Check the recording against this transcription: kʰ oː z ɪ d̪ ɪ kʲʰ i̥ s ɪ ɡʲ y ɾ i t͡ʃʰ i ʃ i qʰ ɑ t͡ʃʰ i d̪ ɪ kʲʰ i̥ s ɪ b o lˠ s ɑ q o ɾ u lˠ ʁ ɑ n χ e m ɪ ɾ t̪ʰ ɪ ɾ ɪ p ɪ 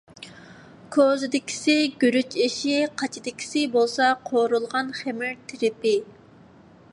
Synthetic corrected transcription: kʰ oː z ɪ d̪ ɪ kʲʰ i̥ s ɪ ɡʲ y ɾ y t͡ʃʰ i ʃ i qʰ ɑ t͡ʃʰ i d̪ ɪ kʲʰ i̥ s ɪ b o lˠ s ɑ qʰ o ɾ u lˠ ʁ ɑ n χ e m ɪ ɾ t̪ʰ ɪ ɾ ɪ p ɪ

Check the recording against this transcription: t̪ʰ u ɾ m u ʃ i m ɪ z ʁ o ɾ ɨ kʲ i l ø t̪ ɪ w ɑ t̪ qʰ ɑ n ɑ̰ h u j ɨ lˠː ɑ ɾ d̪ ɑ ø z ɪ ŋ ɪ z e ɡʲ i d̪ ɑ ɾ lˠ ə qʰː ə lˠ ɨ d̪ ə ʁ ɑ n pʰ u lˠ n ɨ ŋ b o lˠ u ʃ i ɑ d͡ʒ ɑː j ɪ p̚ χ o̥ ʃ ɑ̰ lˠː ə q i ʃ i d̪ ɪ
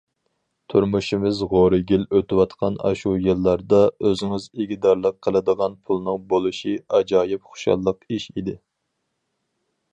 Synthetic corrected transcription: t̪ʰ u ɾ m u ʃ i m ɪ z ʁ o ɾ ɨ ɡʲ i l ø t̪ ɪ w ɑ t̪ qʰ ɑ n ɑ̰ ʃ u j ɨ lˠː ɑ ɾ d̪ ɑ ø z ɪ ŋ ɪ z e ɡʲ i d̪ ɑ ɾ lˠ ə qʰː ə lˠ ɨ d̪ ə ʁ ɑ n pʰ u lˠ n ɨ ŋ b o lˠ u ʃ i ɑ d͡ʒ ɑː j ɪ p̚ χ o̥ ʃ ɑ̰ lˠː ə q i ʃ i d̪ ɪ

